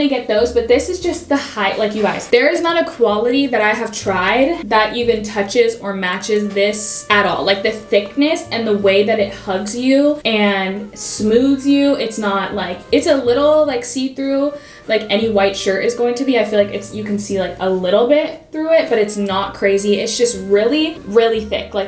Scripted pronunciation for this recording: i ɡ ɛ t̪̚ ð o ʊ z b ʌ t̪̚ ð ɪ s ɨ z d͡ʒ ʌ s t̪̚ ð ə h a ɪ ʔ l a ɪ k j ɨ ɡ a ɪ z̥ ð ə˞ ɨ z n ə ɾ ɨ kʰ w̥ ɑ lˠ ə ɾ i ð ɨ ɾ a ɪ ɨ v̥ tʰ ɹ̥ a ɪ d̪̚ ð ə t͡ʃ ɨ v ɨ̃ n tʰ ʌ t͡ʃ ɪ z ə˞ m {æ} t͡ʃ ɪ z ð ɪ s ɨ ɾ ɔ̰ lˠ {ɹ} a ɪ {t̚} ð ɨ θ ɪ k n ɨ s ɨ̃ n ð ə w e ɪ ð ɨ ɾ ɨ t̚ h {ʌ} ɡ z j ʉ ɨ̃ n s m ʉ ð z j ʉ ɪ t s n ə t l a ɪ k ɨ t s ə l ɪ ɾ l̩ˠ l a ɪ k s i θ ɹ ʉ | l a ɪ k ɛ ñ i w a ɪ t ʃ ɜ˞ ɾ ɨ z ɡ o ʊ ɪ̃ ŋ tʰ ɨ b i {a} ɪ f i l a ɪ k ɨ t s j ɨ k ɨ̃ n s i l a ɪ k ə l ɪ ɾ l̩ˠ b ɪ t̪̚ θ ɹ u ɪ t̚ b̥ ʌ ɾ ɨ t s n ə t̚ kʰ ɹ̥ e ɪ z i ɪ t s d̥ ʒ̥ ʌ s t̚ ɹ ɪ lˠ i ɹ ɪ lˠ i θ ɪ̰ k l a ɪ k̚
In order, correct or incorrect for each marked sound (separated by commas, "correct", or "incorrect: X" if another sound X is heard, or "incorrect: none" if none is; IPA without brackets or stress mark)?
correct, incorrect: l, incorrect: k̚, correct, correct